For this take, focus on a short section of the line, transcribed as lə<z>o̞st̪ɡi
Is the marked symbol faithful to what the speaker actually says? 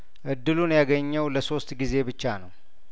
no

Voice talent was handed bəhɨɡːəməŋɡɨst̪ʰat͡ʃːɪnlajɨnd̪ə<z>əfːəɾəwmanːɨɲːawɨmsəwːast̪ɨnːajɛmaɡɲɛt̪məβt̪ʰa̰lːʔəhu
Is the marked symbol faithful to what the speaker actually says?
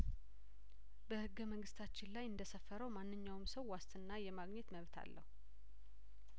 no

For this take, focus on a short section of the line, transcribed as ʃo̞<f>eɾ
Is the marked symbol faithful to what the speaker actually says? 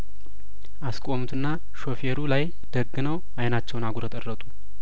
yes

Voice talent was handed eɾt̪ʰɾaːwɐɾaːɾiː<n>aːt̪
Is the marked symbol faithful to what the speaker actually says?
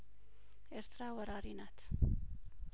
yes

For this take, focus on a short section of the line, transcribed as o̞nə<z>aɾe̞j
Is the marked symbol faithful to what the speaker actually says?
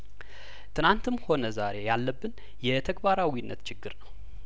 yes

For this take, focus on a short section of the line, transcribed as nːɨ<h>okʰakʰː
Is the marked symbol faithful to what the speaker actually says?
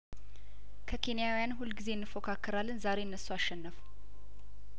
no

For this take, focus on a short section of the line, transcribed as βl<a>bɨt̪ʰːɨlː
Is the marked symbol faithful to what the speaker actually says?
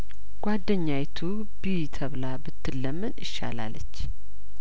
yes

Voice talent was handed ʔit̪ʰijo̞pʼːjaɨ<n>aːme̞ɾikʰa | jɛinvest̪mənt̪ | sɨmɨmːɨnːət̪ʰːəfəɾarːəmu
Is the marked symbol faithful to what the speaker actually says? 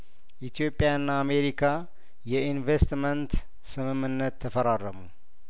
no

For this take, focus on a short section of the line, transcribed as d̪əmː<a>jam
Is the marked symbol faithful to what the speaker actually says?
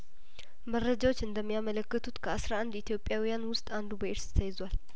no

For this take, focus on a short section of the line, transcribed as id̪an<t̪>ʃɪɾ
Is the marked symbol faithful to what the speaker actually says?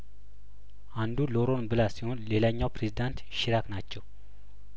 yes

